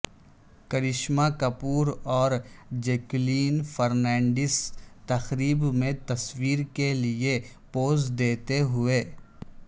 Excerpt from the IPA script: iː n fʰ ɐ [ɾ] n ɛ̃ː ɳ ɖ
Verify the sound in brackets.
correct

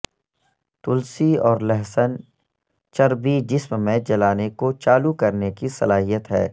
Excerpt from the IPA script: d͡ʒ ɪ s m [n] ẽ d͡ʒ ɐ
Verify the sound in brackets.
incorrect: m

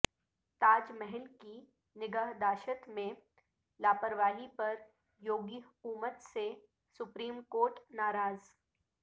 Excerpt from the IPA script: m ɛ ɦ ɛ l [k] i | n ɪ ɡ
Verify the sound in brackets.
correct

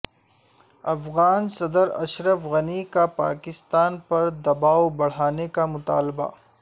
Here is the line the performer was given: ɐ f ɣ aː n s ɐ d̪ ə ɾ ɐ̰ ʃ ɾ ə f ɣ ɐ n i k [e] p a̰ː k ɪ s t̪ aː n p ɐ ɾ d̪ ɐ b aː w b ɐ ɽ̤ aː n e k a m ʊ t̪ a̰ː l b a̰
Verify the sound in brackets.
incorrect: a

